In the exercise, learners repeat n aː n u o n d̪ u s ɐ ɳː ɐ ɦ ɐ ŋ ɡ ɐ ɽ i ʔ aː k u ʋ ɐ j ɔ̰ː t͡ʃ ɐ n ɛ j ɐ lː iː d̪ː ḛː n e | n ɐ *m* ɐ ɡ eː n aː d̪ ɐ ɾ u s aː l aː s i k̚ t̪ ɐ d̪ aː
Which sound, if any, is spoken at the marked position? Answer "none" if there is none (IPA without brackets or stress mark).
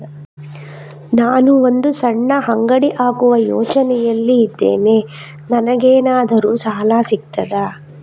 n